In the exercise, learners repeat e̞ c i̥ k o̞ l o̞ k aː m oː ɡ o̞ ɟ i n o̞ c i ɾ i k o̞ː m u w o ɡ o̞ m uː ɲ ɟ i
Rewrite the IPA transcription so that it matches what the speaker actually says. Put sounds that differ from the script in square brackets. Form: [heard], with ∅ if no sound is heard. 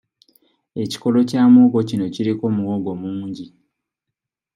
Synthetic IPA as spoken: e̞ c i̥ k o̞ l o̞ [c] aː m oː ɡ o̞ [c] i n o̞ c i ɾ i k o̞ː m u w o ɡ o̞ m uː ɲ ɟ i